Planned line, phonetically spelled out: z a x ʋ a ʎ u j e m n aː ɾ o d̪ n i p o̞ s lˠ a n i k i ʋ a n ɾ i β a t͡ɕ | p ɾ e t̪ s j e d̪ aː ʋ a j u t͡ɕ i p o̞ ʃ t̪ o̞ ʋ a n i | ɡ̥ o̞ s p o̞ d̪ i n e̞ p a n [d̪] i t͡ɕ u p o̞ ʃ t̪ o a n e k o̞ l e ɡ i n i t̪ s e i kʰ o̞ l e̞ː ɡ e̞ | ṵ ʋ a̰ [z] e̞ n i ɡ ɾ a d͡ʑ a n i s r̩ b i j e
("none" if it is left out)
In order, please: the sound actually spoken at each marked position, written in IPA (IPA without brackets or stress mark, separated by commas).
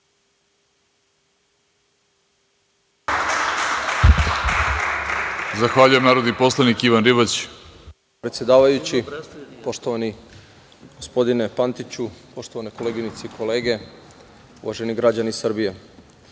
t̪, ʒ